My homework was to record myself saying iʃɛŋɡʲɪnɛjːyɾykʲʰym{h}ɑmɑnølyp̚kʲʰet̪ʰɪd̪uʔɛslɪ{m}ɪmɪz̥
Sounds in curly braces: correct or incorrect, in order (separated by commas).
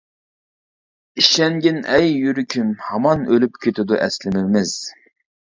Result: correct, correct